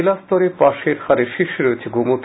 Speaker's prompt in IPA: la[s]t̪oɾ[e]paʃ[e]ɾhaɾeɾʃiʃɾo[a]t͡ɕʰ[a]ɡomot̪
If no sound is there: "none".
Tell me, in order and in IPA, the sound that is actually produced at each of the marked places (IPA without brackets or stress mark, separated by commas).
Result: s, e, e, e, e